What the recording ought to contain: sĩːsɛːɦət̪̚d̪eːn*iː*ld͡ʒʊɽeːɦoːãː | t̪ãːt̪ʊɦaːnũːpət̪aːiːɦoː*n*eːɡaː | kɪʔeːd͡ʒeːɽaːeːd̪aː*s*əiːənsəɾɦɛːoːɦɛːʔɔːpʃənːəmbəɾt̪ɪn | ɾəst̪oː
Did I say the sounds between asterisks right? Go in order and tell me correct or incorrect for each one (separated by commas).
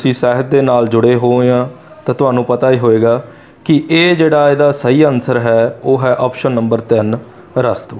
incorrect, incorrect, correct